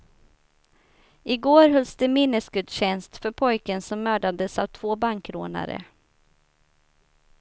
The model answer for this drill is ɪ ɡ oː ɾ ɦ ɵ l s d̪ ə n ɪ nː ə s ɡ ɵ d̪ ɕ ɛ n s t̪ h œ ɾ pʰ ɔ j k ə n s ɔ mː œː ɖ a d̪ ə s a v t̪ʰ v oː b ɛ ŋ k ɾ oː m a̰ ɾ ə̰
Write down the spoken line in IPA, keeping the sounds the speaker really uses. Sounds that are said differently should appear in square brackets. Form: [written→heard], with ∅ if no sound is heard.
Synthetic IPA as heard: ɪ ɡ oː ɾ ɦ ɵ l s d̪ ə [n→m] ɪ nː ə s ɡ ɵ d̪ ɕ ɛ n s t̪ [h→f] œ ɾ pʰ ɔ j k ə n s ɔ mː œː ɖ a d̪ ə s a v t̪ʰ v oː b [ɛ→a] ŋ k ɾ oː [m→n] a̰ ɾ ə̰